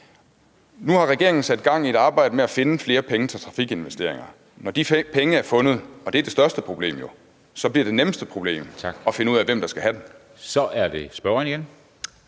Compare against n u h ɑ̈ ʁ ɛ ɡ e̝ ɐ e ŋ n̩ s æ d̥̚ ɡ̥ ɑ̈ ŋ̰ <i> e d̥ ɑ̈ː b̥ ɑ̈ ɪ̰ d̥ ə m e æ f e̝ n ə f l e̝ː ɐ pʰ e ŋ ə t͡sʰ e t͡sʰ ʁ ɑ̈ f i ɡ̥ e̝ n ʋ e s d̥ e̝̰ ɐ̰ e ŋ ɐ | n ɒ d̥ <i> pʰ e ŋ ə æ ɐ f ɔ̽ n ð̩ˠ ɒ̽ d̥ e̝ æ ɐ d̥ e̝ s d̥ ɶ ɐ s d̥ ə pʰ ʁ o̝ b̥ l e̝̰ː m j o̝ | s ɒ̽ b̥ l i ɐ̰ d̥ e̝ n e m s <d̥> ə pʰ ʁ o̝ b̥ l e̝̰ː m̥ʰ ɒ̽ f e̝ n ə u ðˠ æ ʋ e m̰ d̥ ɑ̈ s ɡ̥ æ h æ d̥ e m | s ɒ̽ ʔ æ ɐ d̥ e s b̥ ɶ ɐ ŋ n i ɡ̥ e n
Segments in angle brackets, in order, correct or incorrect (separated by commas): correct, correct, correct